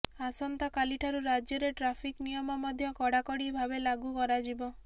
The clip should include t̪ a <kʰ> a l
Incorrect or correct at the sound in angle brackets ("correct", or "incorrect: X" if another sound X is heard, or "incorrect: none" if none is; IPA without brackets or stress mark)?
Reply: incorrect: k